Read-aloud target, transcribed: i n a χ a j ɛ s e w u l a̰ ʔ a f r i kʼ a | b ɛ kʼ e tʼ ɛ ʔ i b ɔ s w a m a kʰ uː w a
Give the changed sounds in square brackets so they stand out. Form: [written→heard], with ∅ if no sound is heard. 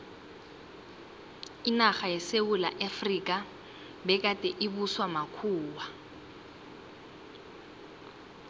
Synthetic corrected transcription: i n a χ a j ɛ s e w u l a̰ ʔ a f r i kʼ a | b ɛ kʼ [e→a] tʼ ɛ ʔ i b [ɔ→u] s w a m a kʰ uː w a